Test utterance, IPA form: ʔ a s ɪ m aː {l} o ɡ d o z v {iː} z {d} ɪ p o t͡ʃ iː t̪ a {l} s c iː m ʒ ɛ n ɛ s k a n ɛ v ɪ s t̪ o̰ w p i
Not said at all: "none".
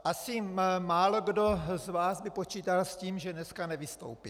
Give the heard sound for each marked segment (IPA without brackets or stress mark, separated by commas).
l, aː, b, l